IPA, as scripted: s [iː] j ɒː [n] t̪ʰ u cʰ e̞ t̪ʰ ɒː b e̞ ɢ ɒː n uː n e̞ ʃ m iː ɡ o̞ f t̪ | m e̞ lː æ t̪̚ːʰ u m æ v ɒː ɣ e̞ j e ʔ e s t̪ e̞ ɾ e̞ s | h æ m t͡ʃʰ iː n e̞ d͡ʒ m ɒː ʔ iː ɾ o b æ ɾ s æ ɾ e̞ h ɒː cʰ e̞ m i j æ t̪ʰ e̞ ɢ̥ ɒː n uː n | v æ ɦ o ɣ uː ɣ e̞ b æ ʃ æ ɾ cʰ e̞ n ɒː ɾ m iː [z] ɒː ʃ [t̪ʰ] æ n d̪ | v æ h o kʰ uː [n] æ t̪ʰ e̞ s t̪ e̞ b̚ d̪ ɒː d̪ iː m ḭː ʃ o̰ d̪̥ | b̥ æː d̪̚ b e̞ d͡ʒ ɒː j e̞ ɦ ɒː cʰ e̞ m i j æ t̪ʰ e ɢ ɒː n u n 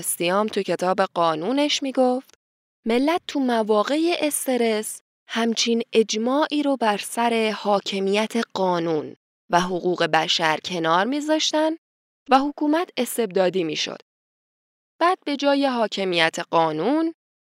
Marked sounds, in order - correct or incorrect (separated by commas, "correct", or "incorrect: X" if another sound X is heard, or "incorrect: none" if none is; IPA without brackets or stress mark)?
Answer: incorrect: i, incorrect: m, correct, incorrect: t̪, incorrect: m